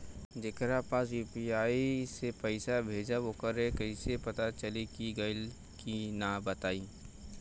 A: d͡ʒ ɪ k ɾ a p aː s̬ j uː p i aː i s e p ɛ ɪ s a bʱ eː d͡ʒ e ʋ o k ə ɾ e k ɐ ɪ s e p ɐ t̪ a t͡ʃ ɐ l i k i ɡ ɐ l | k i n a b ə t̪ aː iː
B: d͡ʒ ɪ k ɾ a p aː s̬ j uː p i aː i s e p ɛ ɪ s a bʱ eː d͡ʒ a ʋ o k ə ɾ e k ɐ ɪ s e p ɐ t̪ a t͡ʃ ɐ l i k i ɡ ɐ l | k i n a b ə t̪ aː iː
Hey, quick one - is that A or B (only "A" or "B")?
B